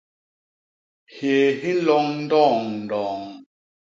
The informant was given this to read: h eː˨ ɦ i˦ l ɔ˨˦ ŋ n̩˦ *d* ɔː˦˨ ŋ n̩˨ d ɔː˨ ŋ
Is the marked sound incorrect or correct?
correct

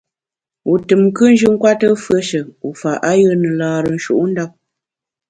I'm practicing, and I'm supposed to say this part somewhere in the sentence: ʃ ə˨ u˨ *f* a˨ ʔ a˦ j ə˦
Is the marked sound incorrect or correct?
correct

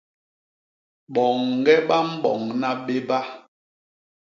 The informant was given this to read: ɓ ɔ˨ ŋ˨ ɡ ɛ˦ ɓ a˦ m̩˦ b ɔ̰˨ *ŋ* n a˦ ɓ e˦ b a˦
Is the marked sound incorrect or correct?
correct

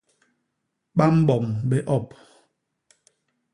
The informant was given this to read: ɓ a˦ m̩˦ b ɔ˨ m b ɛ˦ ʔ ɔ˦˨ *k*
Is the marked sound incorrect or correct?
incorrect: p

